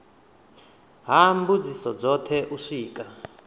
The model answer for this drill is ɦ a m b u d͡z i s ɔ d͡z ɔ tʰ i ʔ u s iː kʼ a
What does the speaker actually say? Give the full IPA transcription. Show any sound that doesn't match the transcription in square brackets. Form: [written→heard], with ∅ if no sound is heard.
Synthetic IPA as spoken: ɦ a m b u d͡z i s ɔ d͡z ɔ tʰ [i→ɛ] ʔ u [s→ʂ] iː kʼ a